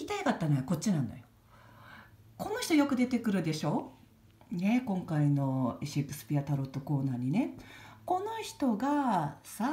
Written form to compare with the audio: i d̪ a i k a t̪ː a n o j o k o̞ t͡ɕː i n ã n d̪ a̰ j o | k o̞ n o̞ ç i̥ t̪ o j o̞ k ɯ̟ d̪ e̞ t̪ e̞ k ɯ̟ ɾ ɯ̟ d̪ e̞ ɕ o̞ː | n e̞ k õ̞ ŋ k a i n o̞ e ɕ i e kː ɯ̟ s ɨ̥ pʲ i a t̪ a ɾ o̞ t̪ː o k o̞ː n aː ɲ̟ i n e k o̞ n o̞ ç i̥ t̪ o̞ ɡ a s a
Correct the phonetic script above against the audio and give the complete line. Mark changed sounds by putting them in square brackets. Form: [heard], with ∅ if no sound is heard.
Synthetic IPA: i [t̪] a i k a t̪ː a n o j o k o̞ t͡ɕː i n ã n d̪ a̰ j o | k o̞ n o̞ ç i̥ t̪ o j o̞ k ɯ̟ d̪ e̞ t̪ e̞ k ɯ̟ ɾ ɯ̟ d̪ e̞ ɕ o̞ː | n e̞ k õ̞ ŋ k a i n o̞ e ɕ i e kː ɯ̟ s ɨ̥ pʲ i a t̪ a ɾ o̞ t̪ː o k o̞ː n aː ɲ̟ i n e k o̞ n o̞ ç i̥ t̪ o̞ ɡ a s a